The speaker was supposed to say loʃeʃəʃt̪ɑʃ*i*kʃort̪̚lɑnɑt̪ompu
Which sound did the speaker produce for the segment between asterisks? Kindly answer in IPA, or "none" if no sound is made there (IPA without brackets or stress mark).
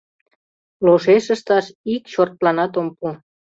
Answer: i